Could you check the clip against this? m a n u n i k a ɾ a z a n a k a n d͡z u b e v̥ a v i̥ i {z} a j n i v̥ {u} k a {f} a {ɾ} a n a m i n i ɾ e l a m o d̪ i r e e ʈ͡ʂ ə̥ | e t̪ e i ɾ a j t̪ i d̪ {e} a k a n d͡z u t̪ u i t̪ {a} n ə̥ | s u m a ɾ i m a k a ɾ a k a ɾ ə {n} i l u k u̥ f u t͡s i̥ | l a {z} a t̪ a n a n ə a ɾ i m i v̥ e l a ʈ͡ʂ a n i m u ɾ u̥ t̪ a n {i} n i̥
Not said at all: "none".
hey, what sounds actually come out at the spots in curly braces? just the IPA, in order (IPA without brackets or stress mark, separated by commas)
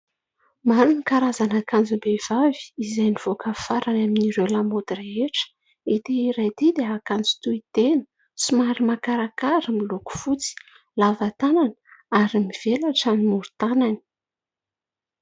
z, o, f, ɾ, e, e, m, v, a